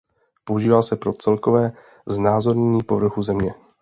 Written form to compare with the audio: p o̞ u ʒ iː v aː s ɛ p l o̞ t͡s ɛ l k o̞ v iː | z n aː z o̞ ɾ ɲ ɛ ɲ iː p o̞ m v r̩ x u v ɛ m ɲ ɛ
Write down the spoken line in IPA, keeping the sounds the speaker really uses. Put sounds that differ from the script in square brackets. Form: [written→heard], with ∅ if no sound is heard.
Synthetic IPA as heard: p o̞ u ʒ iː v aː s ɛ p [l→ɾ] o̞ t͡s ɛ l k o̞ v [iː→ɛː] | z n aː z o̞ ɾ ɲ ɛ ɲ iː p o̞ [m→∅] v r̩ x u [v→z] ɛ m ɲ ɛ